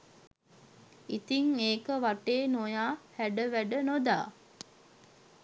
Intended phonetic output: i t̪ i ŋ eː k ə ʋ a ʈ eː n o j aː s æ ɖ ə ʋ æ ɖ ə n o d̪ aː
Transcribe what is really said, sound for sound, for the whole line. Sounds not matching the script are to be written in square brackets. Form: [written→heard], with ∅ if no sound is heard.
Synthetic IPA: i t̪ i ŋ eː k ə ʋ a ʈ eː n o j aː [s→h] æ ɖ ə ʋ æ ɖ ə n o d̪ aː